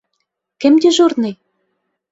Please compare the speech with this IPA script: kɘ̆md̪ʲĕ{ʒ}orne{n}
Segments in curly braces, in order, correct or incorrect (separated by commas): correct, incorrect